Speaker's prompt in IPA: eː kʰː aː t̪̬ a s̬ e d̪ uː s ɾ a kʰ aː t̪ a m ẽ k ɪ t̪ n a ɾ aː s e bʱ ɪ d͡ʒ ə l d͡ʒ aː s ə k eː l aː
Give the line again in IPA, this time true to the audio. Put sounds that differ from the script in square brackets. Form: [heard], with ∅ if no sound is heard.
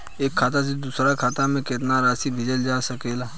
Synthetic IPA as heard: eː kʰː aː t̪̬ a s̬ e d̪ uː s ɾ a kʰ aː t̪ a m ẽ k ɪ t̪ n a ɾ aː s [i] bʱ ɪ d͡ʒ ə l d͡ʒ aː s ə k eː l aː